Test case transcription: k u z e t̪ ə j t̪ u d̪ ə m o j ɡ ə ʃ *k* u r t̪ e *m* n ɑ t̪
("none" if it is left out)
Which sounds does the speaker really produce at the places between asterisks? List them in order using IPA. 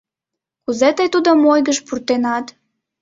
p, none

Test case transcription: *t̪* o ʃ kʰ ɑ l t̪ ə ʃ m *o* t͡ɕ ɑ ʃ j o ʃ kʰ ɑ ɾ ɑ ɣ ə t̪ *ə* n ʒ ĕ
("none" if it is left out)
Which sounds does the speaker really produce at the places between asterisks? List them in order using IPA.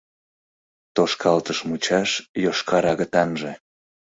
t̪, u, ɑ

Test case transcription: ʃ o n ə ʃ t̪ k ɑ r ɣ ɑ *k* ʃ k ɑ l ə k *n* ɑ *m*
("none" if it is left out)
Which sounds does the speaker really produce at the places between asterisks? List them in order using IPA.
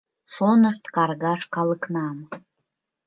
none, n, m

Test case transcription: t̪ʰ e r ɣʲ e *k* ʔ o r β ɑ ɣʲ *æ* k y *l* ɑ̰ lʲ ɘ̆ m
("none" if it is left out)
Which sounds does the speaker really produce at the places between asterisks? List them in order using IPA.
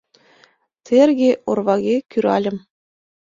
none, e, ɾ

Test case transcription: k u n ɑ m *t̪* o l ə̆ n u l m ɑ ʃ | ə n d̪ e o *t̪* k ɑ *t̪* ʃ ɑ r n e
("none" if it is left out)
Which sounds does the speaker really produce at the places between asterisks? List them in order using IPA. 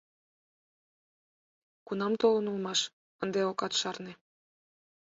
t̪, none, t̪

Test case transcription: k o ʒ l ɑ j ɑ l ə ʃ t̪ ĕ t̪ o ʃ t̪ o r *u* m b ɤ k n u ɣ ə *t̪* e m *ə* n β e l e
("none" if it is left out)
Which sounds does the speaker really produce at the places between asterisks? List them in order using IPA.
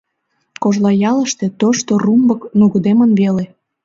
u, d̪, ə

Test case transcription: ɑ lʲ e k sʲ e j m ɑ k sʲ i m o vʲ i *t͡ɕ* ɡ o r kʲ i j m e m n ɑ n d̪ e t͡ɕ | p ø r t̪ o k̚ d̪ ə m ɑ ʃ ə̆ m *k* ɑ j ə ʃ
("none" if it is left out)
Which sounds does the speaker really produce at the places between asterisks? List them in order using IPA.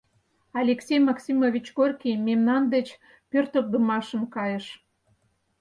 t͡ɕ, k

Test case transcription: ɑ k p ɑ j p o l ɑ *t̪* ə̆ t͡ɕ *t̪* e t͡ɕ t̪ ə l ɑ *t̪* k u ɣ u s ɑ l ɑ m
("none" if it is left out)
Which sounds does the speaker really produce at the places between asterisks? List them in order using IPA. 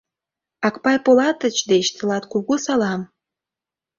t̪, d̪, t̪

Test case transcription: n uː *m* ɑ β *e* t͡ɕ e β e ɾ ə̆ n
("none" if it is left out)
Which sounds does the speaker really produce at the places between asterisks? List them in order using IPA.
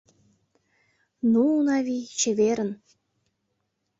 n, i

